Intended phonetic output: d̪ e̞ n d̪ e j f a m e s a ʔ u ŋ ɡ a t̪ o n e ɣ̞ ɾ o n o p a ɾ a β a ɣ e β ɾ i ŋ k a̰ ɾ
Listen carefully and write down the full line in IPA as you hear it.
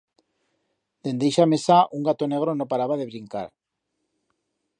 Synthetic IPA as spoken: d̪ e̞ n d̪ e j ʃ a m e s a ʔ u ŋ ɡ a t̪ o n e ɣ̞ ɾ o n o p a ɾ a β a ð e β ɾ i ŋ k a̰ ɾ